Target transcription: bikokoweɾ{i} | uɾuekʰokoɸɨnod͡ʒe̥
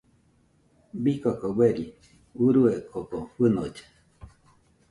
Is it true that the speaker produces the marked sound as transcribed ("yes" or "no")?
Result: yes